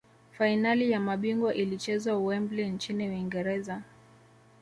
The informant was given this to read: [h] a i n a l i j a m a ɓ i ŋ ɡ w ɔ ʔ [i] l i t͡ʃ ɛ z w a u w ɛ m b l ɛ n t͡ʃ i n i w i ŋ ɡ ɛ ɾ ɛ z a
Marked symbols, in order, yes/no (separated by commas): no, yes